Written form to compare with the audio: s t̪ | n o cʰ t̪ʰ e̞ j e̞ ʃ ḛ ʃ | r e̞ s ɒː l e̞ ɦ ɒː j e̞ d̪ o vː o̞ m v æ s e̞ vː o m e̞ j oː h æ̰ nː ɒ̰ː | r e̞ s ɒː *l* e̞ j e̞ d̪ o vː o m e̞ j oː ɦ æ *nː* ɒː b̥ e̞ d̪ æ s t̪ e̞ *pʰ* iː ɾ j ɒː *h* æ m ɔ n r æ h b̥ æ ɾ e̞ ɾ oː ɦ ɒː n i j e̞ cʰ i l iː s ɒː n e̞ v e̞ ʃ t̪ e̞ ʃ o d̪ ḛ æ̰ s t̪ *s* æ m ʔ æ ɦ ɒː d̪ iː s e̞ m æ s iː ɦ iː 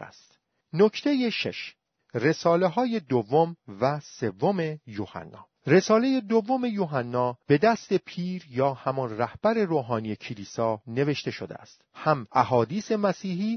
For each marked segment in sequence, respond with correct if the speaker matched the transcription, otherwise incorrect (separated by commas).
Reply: correct, correct, correct, correct, incorrect